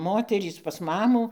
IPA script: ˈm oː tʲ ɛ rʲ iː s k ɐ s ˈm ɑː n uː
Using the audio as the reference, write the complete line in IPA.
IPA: ˈm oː tʲ ɛ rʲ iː s p ɐ s ˈm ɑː m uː